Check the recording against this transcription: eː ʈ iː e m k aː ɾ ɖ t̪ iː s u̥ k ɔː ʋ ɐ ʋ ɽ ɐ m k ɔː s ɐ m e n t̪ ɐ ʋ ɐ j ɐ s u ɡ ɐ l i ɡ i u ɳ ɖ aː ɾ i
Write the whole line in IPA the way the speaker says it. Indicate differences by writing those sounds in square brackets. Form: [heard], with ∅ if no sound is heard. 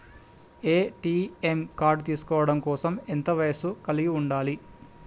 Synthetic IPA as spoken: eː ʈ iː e m k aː ɾ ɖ t̪ iː s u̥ k ɔː ʋ ɐ [∅] ɽ ɐ m k ɔː s ɐ m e n t̪ ɐ ʋ ɐ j ɐ s u [k] ɐ l i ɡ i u ɳ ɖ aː [l] i